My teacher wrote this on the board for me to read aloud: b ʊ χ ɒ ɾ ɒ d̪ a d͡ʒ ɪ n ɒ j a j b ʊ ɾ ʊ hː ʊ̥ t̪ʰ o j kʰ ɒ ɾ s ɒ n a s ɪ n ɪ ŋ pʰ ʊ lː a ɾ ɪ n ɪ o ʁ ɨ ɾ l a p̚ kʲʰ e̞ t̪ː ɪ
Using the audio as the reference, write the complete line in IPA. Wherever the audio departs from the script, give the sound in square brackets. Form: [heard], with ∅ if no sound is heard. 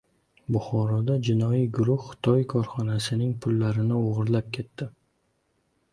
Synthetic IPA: b ʊ χ ɒ ɾ ɒ d̪ a d͡ʒ ɪ n ɒ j [i] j [ɡ] ʊ ɾ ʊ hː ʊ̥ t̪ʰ [ɒ] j kʰ ɒ ɾ [χ] ɒ n a s ɪ n ɪ ŋ pʰ ʊ lː a ɾ ɪ n ɪ o ʁ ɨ ɾ l a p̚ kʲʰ e̞ t̪ː ɪ